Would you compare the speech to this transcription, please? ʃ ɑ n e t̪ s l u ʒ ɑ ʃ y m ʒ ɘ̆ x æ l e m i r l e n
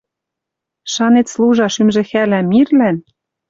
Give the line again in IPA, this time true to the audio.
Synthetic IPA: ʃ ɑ n e t̪ s l u ʒ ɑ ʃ y m ʒ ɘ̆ x æ l æ m i r l æ n